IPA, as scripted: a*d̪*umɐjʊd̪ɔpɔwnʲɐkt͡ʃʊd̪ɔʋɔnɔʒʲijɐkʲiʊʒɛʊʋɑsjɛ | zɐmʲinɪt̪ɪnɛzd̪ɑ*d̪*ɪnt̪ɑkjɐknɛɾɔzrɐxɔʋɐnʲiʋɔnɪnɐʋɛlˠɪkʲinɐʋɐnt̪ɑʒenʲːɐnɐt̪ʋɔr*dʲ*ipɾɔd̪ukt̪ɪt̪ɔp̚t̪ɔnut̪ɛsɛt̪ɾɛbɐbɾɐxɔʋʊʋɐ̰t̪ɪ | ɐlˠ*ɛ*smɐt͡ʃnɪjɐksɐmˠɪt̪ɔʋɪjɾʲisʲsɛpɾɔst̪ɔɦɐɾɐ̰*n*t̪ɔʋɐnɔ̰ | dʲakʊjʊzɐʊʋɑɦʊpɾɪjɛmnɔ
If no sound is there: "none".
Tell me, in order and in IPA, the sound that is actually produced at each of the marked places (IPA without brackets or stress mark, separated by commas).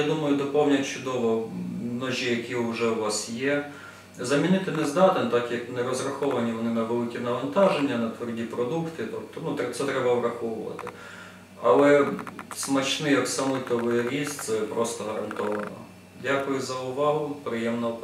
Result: d̪, t̪, dʲ, ɛ, n